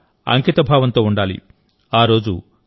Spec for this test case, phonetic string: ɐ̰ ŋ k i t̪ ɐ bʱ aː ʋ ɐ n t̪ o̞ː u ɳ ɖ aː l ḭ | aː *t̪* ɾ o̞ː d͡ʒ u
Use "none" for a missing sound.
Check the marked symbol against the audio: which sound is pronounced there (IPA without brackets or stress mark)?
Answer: none